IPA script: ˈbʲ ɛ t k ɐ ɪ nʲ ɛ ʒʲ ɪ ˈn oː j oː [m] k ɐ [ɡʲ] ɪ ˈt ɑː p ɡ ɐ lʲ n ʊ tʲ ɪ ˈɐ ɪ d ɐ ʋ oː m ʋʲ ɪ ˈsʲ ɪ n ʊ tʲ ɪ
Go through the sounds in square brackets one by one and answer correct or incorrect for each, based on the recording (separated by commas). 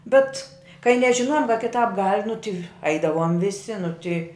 correct, incorrect